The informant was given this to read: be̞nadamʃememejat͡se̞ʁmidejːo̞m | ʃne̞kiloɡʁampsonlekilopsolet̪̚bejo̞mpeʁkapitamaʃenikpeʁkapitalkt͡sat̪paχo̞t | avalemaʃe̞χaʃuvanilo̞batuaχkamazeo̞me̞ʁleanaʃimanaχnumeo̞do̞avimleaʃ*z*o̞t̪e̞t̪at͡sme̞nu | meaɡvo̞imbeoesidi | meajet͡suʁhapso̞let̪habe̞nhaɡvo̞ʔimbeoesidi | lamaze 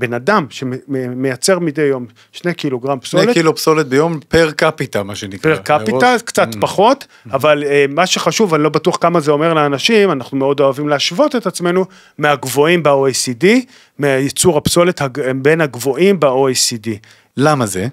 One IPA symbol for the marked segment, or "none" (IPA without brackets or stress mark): v